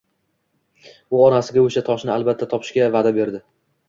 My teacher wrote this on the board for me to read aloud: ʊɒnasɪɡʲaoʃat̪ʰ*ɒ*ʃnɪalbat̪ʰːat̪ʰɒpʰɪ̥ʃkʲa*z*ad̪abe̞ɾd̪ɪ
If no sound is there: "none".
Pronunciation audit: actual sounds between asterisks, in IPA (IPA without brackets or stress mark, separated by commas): ɒ, v